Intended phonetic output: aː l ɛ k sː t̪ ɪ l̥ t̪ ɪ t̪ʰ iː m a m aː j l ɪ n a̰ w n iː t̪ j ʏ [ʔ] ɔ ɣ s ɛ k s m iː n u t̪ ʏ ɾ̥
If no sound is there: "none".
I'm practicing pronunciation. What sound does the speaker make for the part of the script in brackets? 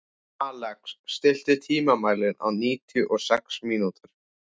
ʔ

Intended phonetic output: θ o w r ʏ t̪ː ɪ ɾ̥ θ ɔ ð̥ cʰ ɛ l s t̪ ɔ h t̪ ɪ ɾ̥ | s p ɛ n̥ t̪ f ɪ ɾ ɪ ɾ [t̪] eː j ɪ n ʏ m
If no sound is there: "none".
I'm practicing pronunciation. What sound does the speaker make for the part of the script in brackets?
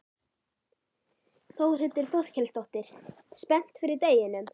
t̪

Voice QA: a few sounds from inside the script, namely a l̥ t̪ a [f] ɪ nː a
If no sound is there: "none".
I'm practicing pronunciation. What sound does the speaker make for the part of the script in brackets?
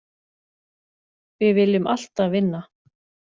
v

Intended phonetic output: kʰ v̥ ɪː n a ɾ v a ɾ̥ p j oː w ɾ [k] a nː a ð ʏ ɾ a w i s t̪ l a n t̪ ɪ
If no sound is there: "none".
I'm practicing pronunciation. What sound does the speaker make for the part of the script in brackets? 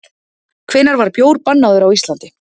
p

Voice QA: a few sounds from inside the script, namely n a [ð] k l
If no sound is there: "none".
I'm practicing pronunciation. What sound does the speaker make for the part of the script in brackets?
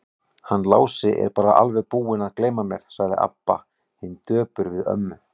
ð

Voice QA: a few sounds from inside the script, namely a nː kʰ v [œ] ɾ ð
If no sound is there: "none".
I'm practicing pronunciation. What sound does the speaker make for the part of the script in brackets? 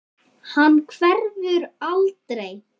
ɛ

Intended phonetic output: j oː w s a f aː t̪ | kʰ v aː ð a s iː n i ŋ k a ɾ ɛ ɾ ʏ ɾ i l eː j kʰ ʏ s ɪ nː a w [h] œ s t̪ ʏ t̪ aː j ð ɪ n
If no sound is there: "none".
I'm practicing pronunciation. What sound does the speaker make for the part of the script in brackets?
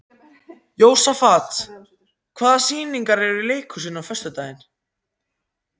f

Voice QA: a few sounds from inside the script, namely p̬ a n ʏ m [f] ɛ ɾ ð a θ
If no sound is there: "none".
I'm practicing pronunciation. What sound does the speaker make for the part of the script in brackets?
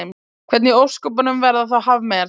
v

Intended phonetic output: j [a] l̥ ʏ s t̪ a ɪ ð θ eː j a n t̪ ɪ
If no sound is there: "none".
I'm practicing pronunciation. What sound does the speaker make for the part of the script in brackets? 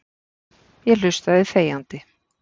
ɛ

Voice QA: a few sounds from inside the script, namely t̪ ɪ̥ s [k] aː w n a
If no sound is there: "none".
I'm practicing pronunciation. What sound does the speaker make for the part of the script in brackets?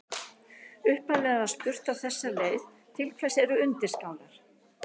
k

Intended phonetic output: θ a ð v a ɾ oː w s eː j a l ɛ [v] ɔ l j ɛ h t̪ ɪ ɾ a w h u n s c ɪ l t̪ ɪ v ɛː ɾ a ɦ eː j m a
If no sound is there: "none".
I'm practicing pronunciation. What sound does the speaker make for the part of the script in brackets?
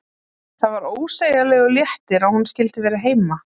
ɣ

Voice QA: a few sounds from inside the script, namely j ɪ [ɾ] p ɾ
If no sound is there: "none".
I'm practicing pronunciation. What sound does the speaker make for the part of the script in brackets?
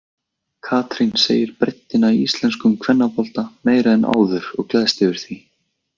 ɾ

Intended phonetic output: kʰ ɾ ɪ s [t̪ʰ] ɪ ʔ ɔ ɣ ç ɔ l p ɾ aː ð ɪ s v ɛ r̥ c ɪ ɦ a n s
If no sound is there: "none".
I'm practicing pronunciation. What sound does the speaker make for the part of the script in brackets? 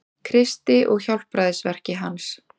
t̪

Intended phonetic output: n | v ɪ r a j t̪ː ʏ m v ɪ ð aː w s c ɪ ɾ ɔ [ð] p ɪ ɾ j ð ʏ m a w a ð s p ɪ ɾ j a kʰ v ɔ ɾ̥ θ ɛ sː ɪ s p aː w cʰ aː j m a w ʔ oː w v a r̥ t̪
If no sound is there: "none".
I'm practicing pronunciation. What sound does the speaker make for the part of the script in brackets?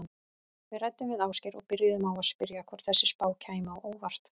ɣ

